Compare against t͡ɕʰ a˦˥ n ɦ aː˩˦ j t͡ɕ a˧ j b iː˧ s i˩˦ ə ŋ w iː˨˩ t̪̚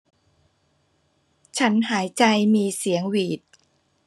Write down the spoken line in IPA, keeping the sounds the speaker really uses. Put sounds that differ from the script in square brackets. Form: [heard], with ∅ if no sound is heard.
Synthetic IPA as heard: t͡ɕʰ a˦˥ n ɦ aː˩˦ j t͡ɕ a˧ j [m] iː˧ s i˩˦ ə ŋ w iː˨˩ t̪̚